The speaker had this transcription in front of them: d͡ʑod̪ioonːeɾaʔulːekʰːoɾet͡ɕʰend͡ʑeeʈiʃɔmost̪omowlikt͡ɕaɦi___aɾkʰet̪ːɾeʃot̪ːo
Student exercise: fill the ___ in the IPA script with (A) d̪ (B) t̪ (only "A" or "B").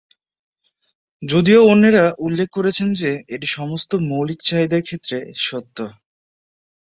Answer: A